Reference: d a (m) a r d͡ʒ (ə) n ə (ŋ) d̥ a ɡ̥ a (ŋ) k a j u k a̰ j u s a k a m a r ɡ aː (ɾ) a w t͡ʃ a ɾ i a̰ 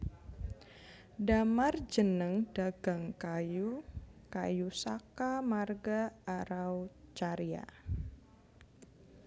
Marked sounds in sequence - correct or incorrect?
correct, correct, correct, correct, correct

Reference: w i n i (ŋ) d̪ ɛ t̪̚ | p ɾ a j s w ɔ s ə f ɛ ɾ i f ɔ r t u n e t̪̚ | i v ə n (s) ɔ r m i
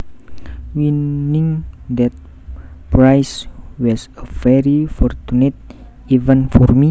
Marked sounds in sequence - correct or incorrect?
correct, incorrect: f

